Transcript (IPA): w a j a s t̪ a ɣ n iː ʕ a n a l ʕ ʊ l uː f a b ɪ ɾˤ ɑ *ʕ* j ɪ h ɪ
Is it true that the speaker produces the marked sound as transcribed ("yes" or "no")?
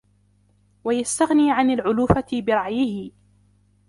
yes